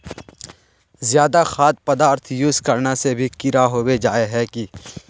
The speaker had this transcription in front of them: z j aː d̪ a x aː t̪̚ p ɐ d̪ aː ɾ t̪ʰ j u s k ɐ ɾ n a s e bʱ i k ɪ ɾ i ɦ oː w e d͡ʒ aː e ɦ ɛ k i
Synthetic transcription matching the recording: z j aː d̪ a x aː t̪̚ p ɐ d̪ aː ɾ t̪ʰ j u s k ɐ ɾ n a s e bʱ i k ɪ ɾ a ɦ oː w e d͡ʒ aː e ɦ ɛ k i